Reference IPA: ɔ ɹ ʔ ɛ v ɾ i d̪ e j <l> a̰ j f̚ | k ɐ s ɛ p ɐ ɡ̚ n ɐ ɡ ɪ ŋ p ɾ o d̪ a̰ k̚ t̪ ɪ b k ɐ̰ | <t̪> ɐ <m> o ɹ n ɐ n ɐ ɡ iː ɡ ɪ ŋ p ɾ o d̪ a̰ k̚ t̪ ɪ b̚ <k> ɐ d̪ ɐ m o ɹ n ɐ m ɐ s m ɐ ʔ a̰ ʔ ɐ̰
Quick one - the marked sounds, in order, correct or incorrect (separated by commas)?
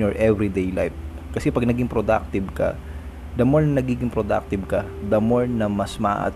correct, incorrect, correct, correct